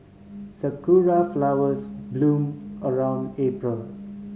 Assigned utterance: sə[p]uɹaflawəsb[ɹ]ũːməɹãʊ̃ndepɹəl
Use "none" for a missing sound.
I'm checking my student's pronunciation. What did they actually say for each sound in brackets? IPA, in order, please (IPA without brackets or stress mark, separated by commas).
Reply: k, l